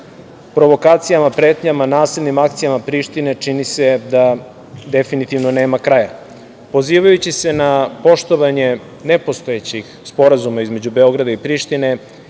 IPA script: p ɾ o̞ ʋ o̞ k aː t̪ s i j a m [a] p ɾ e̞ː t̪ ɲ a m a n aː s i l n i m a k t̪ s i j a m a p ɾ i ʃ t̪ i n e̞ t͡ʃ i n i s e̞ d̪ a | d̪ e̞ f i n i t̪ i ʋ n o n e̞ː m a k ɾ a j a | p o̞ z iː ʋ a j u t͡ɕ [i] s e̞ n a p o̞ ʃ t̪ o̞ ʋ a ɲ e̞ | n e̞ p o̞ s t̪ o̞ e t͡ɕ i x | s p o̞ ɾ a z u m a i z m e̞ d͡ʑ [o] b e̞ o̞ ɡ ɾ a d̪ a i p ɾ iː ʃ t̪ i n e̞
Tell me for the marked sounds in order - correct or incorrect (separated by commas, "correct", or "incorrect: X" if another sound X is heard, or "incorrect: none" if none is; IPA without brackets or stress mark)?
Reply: correct, correct, incorrect: u